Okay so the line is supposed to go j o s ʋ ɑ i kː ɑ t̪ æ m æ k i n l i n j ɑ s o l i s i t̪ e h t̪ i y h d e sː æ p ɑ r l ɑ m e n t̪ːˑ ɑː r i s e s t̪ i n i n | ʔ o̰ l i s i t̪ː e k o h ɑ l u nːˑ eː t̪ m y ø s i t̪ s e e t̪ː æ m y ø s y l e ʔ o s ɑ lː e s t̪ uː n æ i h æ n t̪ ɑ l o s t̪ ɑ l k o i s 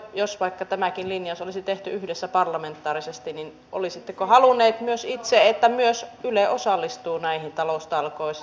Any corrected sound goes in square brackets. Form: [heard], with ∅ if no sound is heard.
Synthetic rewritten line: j o s ʋ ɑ i kː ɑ t̪ æ m æ k i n l i n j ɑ s o l i s i t̪ e h t̪ [y] y h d e sː æ p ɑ r l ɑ m e n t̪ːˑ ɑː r i s e s t̪ i n i n | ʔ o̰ l i s i t̪ː e k o h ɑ l u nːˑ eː t̪ m y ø s i t̪ s e e t̪ː æ m y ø s y l e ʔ o s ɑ lː [i] s t̪ uː n æ i h [i] n t̪ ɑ l o s t̪ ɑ l k o i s